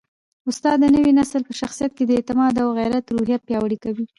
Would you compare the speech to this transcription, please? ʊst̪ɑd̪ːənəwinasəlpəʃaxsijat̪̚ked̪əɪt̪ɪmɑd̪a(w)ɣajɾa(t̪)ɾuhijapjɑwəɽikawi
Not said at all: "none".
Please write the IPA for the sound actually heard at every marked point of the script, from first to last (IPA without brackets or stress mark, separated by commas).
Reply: w, t̪